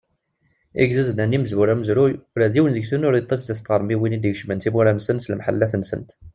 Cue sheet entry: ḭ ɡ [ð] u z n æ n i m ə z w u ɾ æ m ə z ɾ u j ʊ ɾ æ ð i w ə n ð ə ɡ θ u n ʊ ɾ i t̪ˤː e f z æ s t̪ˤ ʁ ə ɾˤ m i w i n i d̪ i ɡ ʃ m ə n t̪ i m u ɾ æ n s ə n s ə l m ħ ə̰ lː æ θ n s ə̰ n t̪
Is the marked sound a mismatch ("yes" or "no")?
yes